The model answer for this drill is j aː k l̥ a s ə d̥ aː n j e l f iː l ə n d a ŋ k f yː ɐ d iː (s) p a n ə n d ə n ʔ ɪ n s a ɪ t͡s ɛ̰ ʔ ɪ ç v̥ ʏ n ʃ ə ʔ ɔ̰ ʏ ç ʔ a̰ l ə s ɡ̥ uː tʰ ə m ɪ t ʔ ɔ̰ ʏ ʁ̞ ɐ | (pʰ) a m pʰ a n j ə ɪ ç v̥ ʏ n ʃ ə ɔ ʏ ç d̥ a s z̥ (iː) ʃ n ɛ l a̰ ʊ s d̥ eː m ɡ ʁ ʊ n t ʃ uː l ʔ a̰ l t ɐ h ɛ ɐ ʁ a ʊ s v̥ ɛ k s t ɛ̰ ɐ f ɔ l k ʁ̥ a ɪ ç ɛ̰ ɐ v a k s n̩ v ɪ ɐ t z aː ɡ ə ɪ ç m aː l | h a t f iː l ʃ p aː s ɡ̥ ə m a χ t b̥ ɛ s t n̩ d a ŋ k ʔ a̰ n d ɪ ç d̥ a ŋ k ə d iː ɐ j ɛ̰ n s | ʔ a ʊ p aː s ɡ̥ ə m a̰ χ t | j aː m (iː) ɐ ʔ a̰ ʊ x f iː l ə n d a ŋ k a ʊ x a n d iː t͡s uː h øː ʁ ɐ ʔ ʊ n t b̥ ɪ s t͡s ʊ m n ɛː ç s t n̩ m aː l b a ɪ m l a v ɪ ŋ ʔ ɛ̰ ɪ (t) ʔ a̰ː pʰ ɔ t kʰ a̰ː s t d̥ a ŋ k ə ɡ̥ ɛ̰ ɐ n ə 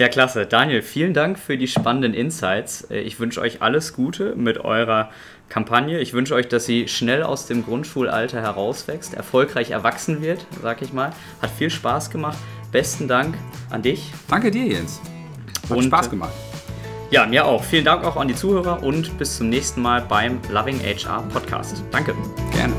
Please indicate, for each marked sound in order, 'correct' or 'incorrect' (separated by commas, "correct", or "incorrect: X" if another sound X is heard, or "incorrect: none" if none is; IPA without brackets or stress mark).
incorrect: ʃ, incorrect: kʰ, correct, correct, incorrect: t͡ʃ